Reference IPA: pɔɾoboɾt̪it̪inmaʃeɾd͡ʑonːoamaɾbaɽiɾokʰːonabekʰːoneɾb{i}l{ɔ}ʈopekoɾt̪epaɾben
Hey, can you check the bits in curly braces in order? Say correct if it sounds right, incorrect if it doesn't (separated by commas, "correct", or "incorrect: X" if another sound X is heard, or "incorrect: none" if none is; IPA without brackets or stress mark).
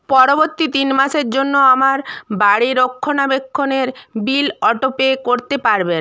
correct, correct